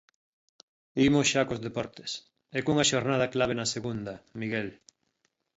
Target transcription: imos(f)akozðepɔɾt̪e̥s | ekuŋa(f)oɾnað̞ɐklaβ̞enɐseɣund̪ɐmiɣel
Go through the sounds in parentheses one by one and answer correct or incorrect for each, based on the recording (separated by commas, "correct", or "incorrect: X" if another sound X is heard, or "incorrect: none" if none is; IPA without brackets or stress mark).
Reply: incorrect: ʃ, incorrect: ʃ